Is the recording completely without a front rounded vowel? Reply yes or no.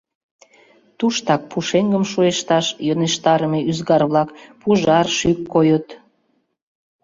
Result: no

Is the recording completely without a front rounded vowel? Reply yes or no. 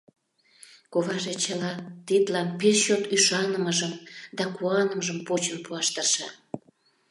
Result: no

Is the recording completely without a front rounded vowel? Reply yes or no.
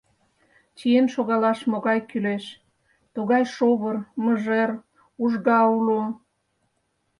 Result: no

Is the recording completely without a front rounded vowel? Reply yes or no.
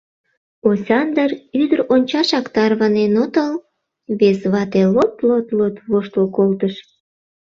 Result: no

